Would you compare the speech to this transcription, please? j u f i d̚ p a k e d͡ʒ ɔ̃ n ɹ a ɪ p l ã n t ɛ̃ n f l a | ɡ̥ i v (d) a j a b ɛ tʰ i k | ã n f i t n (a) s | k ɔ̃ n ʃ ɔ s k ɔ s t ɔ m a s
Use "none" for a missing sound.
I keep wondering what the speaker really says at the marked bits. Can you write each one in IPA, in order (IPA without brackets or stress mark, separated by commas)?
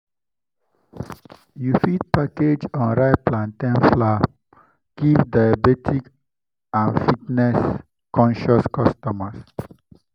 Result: d, ɛ